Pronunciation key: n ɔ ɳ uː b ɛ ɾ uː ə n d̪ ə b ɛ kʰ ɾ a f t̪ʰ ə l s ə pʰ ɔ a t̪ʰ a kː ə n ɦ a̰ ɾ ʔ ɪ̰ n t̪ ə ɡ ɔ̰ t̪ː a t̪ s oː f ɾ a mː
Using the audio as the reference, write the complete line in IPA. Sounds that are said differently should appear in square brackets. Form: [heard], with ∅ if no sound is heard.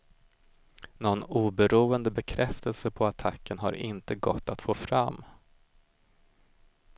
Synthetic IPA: n ɔ [n] uː b ɛ ɾ uː ə n d̪ ə b ɛ kʰ ɾ [ɛ] f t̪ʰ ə l s ə pʰ ɔ a t̪ʰ a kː ə n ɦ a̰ ɾ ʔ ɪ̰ n t̪ ə ɡ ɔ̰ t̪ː a t̪ [f] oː f ɾ a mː

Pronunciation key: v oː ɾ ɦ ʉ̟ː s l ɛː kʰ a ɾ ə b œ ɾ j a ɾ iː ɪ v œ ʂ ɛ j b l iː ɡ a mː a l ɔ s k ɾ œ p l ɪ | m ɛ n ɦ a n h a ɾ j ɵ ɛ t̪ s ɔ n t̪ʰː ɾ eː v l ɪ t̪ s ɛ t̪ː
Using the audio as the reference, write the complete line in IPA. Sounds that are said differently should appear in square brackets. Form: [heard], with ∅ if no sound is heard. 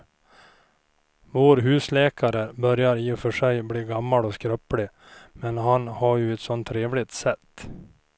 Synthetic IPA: v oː ɾ ɦ ʉ̟ː s l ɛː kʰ a ɾ ə b œ ɾ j a ɾ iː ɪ [f] œ ʂ ɛ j b l iː ɡ a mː a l ɔ s k ɾ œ p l ɪ | m ɛ n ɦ a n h a ɾ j ɵ ɛ t̪ s ɔ n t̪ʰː ɾ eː v l ɪ t̪ s ɛ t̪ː

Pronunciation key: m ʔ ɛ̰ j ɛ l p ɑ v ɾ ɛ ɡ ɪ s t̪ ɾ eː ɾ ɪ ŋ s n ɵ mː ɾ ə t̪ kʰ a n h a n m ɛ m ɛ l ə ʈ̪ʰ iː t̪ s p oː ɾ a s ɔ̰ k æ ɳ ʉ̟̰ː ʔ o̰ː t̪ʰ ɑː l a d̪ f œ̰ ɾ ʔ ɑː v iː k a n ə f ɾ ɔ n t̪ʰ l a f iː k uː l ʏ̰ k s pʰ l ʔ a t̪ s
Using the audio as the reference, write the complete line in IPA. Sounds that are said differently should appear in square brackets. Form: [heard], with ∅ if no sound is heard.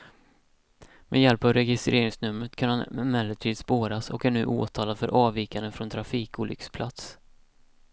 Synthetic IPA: m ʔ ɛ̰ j ɛ l p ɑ v ɾ ɛ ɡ ɪ s t̪ ɾ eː ɾ ɪ ŋ s n ɵ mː ɾ ə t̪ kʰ a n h a n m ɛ m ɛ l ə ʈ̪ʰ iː [d̪] s p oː ɾ a s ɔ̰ k æ ɳ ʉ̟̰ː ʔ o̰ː t̪ʰ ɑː l a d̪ f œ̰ ɾ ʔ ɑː v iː k a n ə f ɾ ɔ n t̪ʰ [ɾ] a f iː k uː l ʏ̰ k s pʰ l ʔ a t̪ s

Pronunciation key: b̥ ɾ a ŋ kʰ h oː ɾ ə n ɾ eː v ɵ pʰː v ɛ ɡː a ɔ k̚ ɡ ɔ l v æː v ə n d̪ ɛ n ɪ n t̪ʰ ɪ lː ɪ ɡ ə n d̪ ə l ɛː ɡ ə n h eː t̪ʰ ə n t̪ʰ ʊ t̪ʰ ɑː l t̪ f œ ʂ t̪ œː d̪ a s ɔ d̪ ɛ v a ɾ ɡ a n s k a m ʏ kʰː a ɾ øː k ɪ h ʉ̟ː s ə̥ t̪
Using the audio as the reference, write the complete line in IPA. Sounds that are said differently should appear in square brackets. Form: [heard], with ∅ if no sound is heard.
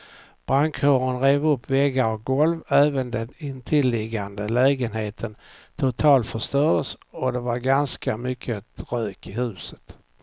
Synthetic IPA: b̥ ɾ a ŋ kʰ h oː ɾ ə n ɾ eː v ɵ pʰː v ɛ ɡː a ɔ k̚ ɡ ɔ l v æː v ə n d̪ ɛ n ɪ n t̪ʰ ɪ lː ɪ ɡ [a] n d̪ ə l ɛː ɡ ə n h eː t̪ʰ ə n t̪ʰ ʊ t̪ʰ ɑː l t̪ f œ ʂ t̪ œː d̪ [ə] s ɔ d̪ ɛ v a ɾ ɡ a n s k a m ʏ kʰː [ə] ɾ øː k ɪ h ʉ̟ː s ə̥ t̪

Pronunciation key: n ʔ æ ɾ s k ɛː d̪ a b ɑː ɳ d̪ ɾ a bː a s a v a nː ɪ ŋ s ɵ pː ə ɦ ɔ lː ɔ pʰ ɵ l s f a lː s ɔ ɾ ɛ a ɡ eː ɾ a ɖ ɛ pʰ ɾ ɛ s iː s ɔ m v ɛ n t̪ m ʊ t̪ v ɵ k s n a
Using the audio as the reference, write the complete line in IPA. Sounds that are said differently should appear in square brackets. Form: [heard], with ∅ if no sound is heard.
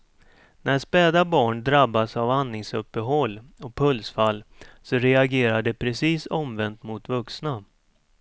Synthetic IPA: n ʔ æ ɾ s [p] ɛː d̪ a b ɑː ɳ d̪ ɾ a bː a s a v a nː ɪ ŋ s ɵ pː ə ɦ ɔ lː ɔ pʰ ɵ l s f a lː s ɔ ɾ ɛ a ɡ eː ɾ a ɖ ɛ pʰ ɾ ɛ s iː s ɔ m v ɛ n t̪ m ʊ t̪ v ɵ k s n a

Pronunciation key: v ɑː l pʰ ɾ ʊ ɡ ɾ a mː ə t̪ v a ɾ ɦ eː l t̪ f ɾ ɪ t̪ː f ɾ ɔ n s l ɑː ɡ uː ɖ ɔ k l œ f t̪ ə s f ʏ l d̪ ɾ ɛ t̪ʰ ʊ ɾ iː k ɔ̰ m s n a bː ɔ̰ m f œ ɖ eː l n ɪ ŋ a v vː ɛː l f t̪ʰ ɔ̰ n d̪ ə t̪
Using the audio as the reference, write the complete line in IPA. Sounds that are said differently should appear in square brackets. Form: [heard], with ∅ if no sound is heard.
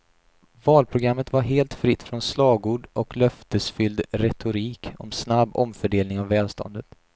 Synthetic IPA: v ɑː l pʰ ɾ ʊ ɡ ɾ a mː ə t̪ v a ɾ ɦ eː l t̪ f ɾ ɪ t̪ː f ɾ ɔ n s l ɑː ɡ uː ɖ ɔ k l œ f t̪ ə s f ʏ l d̪ ɾ ɛ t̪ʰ ʊ ɾ iː k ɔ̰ m s n a bː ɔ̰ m f œ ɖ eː l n ɪ ŋ a v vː ɛː l [s] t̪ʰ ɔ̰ n d̪ ə t̪

